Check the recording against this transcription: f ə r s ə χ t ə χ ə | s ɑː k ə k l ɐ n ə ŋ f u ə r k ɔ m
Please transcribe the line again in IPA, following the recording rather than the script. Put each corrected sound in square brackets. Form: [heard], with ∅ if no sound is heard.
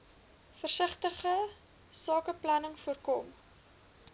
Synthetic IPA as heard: f ə r s ə χ t ə χ ə | s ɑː k ə [p] l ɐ n ə ŋ f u ə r k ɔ m